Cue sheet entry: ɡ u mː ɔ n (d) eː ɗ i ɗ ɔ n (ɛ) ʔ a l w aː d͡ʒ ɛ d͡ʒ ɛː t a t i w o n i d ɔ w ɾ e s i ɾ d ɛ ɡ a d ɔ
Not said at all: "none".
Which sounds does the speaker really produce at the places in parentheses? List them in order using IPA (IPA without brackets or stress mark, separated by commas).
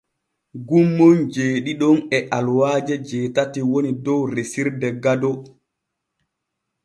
d͡ʒ, ɛ